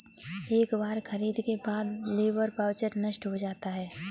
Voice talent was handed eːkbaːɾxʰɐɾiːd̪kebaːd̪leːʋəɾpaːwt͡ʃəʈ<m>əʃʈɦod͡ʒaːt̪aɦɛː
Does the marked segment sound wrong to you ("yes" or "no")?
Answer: yes